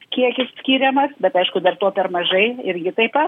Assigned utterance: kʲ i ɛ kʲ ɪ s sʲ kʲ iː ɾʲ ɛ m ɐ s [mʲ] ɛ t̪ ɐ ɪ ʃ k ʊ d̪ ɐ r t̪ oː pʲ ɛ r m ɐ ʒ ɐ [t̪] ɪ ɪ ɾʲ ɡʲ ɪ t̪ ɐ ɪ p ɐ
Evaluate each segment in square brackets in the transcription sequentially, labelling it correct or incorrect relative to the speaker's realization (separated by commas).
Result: incorrect, incorrect